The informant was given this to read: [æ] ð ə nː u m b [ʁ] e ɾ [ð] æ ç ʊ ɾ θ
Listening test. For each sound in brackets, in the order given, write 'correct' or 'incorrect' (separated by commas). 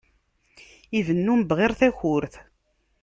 incorrect, correct, incorrect